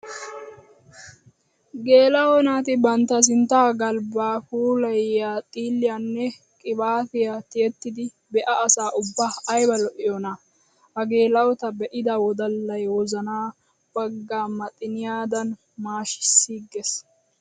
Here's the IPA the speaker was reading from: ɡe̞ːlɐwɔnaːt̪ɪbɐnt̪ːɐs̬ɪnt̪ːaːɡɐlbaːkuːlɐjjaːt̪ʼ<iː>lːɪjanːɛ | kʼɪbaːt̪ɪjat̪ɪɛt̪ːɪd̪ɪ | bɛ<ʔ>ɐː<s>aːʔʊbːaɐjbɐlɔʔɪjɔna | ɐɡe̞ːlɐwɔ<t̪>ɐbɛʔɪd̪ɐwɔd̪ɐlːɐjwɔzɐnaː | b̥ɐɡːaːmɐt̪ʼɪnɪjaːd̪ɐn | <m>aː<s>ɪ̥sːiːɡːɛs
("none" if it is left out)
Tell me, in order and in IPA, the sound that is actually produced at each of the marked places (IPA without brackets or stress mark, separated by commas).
iː, ʔ, s, t̪, m, ʃ